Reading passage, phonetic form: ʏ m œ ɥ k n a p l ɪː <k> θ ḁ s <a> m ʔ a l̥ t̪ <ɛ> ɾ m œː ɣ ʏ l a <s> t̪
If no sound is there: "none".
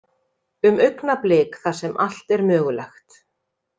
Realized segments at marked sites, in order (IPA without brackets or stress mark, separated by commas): k, ɛ, ɛ, x